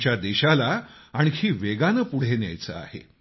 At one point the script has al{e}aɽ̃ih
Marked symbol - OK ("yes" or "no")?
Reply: no